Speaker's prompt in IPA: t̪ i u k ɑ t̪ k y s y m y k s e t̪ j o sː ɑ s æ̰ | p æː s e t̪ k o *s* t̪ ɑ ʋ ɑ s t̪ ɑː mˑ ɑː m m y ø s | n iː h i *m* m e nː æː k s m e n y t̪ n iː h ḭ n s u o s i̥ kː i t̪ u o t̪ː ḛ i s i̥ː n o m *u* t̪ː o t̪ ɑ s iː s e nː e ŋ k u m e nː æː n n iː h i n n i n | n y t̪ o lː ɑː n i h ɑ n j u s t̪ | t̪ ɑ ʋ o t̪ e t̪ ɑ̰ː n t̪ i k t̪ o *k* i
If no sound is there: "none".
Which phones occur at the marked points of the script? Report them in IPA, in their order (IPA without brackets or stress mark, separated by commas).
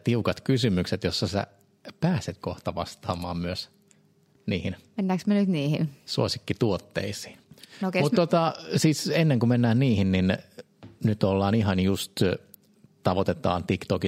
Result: h, n, u, k